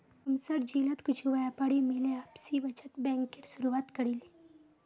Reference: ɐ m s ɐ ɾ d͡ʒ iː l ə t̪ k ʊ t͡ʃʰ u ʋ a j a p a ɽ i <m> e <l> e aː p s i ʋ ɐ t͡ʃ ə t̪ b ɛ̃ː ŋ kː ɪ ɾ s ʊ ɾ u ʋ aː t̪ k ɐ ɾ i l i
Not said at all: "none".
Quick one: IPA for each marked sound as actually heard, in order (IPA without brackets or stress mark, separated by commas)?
m, l